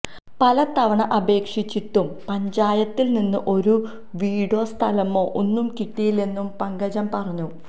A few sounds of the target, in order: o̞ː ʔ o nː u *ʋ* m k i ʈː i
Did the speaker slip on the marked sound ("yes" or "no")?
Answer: yes